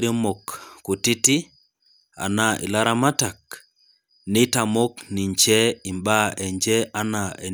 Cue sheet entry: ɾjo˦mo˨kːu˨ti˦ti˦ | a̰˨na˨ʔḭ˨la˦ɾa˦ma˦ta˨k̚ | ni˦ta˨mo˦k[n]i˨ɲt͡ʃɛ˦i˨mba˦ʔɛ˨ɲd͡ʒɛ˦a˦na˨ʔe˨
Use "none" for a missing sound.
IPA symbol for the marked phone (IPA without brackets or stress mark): n